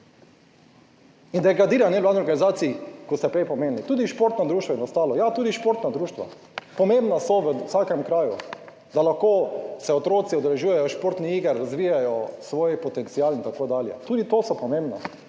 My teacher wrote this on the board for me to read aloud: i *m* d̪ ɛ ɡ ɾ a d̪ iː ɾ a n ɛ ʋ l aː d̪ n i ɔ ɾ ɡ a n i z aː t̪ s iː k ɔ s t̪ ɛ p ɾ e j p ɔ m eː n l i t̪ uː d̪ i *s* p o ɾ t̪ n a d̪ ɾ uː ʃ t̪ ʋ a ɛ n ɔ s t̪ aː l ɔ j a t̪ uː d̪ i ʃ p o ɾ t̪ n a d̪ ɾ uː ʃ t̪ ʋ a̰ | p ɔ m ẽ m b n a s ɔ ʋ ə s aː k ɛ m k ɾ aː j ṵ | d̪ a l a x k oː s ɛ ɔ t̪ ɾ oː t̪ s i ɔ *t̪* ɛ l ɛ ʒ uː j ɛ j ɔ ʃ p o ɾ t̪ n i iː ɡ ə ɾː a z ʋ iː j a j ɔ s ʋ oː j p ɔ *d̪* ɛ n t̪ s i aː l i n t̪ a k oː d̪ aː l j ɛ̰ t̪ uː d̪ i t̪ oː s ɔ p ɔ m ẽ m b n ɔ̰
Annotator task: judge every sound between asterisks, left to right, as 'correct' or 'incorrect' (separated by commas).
incorrect, incorrect, incorrect, incorrect